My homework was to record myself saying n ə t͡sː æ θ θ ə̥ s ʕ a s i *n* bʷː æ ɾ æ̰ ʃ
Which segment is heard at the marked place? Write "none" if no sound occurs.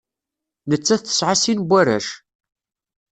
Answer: n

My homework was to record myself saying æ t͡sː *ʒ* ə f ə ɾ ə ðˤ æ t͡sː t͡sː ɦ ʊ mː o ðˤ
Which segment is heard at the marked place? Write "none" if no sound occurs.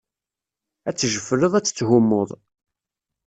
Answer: ʒ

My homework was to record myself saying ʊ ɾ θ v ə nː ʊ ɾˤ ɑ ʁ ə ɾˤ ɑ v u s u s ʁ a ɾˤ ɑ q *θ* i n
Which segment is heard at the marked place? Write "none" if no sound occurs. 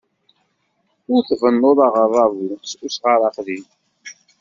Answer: ð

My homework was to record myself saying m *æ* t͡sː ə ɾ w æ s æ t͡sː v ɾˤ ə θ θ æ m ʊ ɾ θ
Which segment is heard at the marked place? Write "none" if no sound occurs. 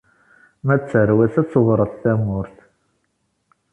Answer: æ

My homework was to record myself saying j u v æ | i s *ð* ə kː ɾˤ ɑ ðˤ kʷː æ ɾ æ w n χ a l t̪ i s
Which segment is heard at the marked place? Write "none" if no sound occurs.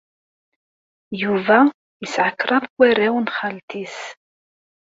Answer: ʕ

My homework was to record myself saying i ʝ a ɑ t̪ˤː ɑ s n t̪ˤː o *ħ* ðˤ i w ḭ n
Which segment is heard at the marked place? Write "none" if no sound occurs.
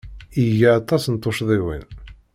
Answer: ʃ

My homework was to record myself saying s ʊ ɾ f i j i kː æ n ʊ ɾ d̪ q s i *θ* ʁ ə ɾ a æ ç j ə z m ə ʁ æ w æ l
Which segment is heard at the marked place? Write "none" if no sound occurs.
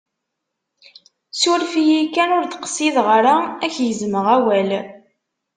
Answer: ð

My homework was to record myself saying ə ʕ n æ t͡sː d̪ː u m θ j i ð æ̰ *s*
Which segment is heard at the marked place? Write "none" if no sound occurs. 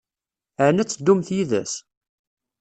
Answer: s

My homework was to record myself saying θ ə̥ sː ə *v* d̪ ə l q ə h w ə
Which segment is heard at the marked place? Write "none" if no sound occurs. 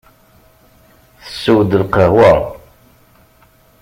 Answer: w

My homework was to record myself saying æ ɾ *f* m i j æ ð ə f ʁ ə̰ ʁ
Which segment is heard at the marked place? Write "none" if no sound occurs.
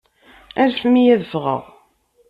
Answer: f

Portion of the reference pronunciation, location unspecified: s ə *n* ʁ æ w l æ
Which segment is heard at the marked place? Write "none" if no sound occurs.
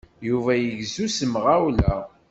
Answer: m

